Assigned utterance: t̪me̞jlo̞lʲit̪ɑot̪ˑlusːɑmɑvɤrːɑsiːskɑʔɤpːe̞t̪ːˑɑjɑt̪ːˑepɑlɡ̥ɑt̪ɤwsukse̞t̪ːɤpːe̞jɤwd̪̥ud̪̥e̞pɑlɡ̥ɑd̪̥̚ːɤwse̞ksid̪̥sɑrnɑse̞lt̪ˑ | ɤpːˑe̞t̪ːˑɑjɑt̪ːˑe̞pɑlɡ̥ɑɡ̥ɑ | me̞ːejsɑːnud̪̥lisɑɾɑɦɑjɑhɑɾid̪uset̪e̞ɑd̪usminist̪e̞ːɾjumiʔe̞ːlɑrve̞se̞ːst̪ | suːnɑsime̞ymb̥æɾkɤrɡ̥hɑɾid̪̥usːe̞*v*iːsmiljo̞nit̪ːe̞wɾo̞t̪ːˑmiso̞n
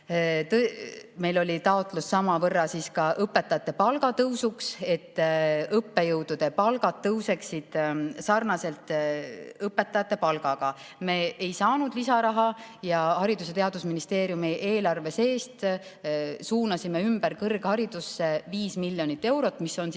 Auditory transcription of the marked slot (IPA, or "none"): v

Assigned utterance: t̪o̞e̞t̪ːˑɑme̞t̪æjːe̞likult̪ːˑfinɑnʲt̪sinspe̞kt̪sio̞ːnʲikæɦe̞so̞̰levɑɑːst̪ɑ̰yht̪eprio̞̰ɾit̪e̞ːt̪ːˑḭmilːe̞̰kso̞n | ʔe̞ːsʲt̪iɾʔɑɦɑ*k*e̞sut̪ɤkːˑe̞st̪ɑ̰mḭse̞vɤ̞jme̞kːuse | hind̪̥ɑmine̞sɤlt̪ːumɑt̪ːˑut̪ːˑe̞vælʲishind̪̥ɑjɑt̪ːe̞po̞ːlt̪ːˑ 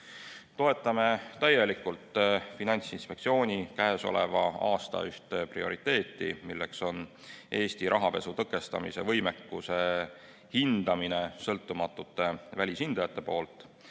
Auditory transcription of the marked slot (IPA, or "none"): p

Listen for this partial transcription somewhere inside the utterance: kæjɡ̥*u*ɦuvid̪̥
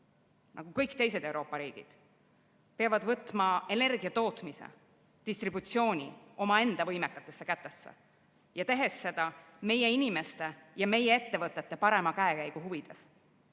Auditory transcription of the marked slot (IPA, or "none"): u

